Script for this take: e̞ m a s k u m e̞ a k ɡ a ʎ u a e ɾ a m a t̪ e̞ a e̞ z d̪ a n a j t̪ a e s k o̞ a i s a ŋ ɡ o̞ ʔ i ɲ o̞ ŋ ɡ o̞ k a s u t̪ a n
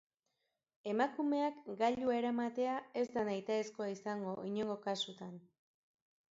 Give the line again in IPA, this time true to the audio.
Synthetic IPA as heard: e̞ m a k u m e̞ a k ɡ a ʎ u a e ɾ a m a t̪ e̞ a e̞ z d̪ a n a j t̪ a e s k o̞ a i s a ŋ ɡ o̞ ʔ i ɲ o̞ ŋ ɡ o̞ k a s u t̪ a n